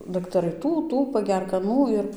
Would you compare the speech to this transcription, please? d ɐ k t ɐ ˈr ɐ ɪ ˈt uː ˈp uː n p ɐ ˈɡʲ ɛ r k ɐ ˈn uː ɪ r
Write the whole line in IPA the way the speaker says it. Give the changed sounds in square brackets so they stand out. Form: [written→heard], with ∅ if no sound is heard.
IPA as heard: d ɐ k t ɐ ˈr ɐ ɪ ˈt uː [ˈp→ˈt] uː [n→∅] p ɐ ˈɡʲ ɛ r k ɐ ˈn uː ɪ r